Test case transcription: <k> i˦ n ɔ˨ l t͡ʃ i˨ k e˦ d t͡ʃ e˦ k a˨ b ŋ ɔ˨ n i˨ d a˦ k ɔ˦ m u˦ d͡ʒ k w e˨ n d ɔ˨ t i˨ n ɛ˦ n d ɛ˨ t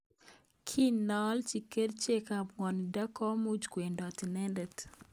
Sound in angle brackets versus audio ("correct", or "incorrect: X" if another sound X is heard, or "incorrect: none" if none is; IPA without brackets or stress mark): incorrect: kʰ